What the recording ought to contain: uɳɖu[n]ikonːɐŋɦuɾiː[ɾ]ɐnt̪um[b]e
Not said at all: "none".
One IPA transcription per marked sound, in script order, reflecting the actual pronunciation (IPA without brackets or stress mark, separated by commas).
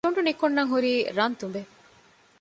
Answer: n, ɾ, b